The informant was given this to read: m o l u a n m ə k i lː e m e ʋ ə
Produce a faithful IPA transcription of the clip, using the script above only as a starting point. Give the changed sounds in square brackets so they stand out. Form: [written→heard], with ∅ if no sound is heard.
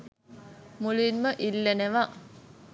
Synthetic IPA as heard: m [o→u] l u [a→i] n m ə [k→ʔ] i lː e [m→n] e ʋ [ə→a]